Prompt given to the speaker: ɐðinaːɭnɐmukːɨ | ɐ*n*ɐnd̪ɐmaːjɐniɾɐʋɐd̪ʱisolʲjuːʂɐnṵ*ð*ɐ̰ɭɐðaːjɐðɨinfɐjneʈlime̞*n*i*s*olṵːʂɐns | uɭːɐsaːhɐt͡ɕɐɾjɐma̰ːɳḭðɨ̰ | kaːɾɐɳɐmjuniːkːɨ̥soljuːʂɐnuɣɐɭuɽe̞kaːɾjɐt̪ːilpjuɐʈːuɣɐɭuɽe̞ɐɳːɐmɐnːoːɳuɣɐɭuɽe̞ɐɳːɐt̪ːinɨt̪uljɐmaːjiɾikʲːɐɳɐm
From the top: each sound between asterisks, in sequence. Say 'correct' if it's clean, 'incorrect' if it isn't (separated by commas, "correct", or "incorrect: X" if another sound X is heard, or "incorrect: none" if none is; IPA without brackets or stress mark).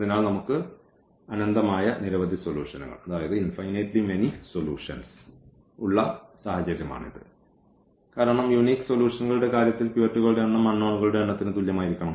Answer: correct, incorrect: ɣ, correct, correct